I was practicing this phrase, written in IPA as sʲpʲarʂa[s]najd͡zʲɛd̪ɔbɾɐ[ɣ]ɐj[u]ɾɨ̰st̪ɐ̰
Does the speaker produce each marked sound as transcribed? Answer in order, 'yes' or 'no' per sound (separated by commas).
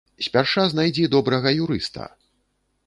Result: no, yes, yes